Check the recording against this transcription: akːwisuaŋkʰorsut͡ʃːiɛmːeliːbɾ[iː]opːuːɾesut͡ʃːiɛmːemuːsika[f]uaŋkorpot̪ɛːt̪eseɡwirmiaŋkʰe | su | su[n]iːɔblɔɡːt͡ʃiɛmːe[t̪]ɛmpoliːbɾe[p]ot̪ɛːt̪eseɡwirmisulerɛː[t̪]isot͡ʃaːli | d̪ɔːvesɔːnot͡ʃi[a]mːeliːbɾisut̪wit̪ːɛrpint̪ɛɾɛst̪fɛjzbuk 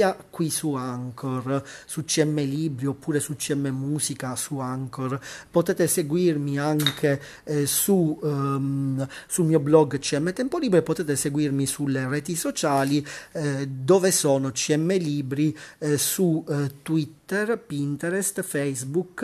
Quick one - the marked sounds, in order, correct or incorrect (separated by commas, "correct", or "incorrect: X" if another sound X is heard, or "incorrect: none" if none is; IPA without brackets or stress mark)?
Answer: incorrect: i, incorrect: s, incorrect: m, correct, correct, correct, incorrect: ɛ